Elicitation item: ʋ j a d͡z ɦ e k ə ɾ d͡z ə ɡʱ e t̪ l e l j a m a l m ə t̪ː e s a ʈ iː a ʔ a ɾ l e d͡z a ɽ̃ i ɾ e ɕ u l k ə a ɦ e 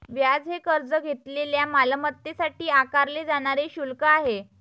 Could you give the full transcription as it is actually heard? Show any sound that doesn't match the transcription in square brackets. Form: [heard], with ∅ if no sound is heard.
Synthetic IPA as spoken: ʋ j a d͡z ɦ e k ə ɾ d͡z ə ɡʱ e t̪ l e l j a m a l m ə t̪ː e s a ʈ iː a [k] a ɾ l e d͡z a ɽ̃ [a] ɾ e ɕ u l k ə a ɦ e